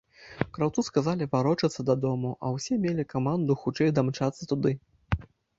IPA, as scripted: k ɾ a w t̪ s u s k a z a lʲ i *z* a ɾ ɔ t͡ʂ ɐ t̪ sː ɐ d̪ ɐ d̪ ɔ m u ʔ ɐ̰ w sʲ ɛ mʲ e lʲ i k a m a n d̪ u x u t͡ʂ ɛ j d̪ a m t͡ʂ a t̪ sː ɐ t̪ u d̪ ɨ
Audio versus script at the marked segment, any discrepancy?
yes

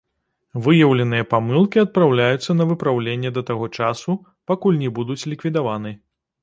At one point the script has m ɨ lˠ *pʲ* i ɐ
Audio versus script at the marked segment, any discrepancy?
yes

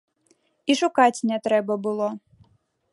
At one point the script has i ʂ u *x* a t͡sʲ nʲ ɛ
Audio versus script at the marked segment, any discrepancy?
yes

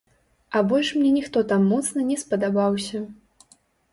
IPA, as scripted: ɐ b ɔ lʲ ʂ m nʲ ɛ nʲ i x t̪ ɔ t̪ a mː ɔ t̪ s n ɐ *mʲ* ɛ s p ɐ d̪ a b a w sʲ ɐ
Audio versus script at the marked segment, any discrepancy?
yes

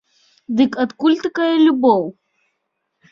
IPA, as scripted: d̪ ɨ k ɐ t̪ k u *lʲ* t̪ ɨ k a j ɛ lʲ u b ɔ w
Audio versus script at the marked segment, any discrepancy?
no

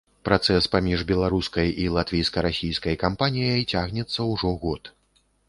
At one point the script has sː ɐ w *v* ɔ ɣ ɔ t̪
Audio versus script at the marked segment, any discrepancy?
yes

